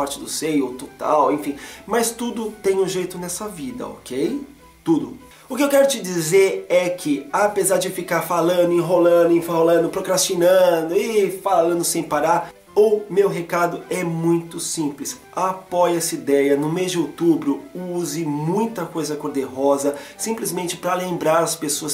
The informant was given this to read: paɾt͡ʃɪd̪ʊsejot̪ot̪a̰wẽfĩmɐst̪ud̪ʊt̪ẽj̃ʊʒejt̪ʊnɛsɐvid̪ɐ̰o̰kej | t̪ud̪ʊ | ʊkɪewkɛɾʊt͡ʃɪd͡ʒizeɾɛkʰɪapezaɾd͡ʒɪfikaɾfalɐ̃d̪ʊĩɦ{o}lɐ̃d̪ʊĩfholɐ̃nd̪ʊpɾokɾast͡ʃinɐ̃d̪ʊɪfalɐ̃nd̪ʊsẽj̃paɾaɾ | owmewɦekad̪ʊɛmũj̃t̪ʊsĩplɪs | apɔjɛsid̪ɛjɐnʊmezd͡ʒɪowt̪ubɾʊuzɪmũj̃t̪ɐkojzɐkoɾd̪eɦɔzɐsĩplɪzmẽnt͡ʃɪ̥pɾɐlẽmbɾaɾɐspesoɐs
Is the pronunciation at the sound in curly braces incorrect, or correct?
correct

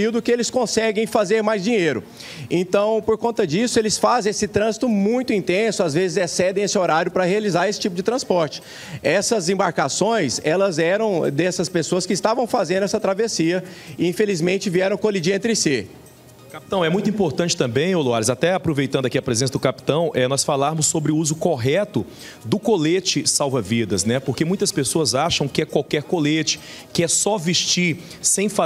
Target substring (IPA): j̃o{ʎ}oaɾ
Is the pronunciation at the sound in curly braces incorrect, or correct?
incorrect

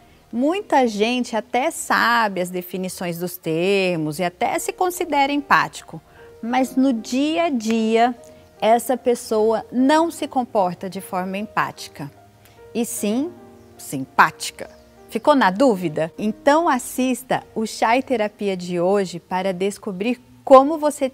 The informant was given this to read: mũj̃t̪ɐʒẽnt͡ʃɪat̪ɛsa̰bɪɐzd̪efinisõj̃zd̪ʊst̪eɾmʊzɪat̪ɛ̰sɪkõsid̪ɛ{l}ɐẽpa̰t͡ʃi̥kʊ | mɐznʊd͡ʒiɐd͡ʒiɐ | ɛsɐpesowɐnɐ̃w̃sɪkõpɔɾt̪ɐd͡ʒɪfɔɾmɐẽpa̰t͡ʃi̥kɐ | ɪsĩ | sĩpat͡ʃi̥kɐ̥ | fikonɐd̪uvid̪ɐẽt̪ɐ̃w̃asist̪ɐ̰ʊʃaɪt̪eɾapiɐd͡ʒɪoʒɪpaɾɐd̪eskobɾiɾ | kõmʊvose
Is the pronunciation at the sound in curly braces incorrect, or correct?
incorrect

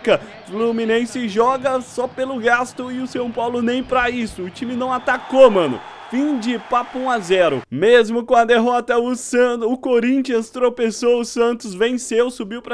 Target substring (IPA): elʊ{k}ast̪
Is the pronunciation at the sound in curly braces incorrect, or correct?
incorrect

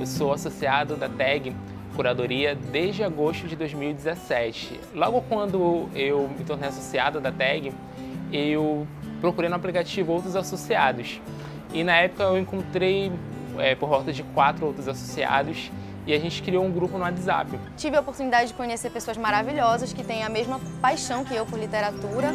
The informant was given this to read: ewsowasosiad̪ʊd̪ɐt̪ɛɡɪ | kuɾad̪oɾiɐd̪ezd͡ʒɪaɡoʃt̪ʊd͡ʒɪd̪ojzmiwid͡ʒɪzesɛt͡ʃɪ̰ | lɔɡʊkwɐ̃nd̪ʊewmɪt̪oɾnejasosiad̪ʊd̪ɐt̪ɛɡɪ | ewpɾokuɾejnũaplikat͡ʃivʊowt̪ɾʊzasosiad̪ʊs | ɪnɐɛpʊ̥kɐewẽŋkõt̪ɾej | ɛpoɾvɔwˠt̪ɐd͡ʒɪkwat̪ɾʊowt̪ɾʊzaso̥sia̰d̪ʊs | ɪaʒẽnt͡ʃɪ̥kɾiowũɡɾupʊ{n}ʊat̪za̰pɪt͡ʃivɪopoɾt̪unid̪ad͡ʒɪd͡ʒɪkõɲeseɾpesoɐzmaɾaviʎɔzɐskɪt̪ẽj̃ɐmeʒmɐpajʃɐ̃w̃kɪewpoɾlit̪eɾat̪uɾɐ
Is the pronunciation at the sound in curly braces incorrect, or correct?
correct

